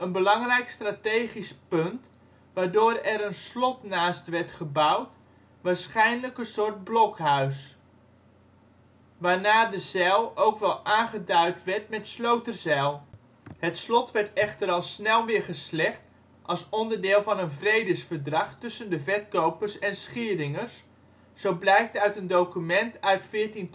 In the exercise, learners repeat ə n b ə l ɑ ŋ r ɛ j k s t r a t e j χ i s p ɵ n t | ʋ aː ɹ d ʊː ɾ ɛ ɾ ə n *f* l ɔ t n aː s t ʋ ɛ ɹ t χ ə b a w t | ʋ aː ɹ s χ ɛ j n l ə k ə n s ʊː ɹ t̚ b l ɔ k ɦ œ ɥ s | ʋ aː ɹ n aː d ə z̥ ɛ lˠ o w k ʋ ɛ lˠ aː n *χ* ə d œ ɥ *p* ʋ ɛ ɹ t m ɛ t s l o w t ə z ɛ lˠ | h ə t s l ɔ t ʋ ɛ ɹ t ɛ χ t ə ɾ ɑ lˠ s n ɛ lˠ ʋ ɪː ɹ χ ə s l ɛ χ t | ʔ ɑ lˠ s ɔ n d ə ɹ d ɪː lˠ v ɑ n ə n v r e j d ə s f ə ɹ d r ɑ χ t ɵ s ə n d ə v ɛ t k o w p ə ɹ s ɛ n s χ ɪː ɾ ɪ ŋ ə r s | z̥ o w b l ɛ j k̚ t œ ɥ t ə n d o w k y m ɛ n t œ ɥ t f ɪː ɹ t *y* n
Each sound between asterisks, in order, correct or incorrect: incorrect, correct, incorrect, incorrect

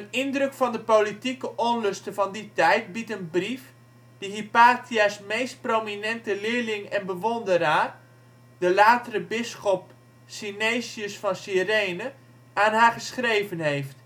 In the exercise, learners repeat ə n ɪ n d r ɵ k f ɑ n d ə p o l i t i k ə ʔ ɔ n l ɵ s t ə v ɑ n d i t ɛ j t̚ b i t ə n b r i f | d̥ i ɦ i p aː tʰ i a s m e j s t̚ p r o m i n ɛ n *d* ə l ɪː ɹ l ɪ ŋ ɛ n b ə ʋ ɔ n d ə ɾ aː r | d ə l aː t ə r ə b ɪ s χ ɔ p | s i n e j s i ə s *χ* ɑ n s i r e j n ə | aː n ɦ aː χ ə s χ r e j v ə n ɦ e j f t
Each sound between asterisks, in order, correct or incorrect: incorrect, incorrect

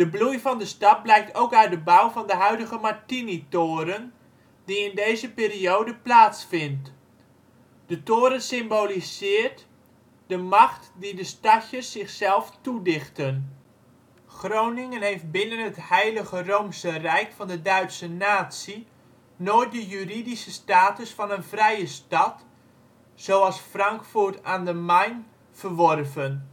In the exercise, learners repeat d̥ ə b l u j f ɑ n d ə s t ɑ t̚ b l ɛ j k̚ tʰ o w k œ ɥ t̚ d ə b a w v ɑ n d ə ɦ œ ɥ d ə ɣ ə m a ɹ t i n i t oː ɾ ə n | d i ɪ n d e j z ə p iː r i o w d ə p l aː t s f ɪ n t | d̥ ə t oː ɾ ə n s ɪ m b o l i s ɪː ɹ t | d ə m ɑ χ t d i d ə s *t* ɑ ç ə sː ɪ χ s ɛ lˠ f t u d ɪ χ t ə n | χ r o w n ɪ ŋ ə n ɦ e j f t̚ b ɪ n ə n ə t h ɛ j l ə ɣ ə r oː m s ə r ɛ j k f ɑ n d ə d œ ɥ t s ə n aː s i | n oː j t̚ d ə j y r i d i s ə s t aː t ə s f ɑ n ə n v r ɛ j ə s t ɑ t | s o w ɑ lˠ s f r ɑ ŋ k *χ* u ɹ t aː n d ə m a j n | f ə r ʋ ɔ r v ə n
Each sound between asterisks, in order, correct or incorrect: correct, incorrect

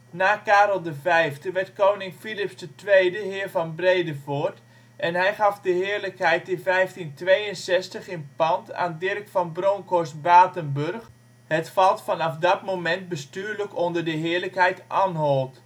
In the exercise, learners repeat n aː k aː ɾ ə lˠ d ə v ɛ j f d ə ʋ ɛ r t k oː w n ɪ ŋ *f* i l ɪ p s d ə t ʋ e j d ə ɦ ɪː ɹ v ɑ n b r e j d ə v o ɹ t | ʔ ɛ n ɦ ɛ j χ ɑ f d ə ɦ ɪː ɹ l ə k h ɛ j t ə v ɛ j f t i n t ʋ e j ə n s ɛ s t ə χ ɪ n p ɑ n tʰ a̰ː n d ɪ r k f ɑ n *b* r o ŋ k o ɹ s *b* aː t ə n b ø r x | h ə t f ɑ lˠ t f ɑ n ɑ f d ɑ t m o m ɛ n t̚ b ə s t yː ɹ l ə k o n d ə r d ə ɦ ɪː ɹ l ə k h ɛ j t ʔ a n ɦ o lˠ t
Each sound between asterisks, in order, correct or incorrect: correct, correct, correct

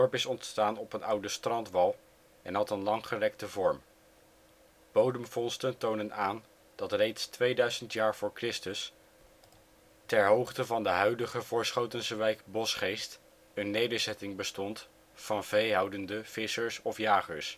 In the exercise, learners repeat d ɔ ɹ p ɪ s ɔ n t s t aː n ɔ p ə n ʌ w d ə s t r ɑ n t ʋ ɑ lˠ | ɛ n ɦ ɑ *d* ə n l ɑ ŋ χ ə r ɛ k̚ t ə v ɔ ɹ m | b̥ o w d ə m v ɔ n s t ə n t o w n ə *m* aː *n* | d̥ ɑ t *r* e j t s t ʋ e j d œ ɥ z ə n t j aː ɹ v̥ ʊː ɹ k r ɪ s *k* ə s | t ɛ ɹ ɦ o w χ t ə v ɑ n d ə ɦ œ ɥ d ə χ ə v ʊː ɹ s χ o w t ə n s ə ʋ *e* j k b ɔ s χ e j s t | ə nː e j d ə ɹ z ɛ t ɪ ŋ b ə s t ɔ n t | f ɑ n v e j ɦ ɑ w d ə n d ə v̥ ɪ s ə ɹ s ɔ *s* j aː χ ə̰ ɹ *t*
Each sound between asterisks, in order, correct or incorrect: incorrect, incorrect, correct, correct, incorrect, incorrect, incorrect, incorrect

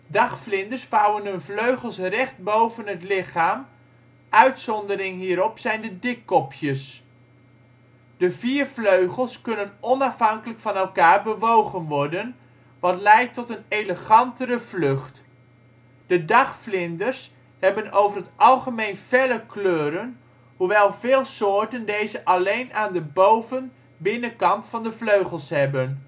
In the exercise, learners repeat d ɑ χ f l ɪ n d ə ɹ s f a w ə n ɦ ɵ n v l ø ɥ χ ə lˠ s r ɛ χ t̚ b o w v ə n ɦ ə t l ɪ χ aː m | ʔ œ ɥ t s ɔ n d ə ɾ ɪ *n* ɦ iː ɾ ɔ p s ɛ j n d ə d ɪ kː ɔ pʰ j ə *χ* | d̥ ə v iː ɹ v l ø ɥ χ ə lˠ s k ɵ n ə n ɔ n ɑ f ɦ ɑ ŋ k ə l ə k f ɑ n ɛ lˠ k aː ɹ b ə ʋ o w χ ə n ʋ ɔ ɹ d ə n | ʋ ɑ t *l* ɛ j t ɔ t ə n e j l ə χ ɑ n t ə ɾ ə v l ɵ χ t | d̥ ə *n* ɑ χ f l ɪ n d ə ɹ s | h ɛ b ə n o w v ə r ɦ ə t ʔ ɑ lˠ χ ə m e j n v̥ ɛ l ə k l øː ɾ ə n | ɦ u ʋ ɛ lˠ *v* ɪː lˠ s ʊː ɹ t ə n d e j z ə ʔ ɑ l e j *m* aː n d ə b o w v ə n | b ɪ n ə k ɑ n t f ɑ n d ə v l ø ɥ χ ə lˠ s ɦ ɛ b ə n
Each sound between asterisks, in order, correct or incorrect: incorrect, incorrect, correct, incorrect, correct, incorrect

